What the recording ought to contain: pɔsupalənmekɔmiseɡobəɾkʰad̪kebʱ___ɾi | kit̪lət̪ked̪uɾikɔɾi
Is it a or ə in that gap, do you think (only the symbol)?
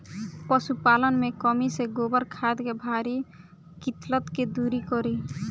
a